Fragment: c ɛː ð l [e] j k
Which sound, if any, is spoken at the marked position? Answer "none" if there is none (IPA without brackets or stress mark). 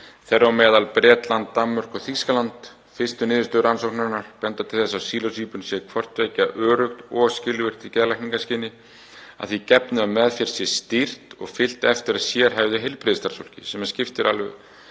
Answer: a